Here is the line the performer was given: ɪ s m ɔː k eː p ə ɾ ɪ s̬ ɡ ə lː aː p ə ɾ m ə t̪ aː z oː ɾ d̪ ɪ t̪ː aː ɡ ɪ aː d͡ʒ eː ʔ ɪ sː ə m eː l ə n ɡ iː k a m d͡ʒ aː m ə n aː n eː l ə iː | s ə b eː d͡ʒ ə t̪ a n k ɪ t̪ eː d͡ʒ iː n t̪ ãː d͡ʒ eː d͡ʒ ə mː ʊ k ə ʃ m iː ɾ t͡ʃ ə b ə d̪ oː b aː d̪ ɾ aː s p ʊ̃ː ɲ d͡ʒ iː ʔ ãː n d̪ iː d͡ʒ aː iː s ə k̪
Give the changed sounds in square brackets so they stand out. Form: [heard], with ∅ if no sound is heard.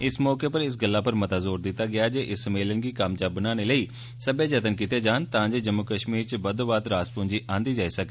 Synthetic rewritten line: ɪ s m ɔː k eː p ə ɾ ɪ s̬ ɡ ə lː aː p ə ɾ m ə t̪ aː z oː ɾ d̪ ɪ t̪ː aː ɡ ɪ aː d͡ʒ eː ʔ ɪ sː ə m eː l ə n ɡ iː k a m d͡ʒ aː [b] ə n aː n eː l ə iː | s ə b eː d͡ʒ ə t̪ [ə] n k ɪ t̪ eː d͡ʒ [aː] n t̪ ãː d͡ʒ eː d͡ʒ ə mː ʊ k ə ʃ m iː ɾ t͡ʃ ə b ə d̪ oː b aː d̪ ɾ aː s p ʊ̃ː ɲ d͡ʒ iː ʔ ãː n d̪ iː d͡ʒ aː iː s ə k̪